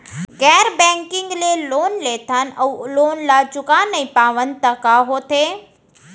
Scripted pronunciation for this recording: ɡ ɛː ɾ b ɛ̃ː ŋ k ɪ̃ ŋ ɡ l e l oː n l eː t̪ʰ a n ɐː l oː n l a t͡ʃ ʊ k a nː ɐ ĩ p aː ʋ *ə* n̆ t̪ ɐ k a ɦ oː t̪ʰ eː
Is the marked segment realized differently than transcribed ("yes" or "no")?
no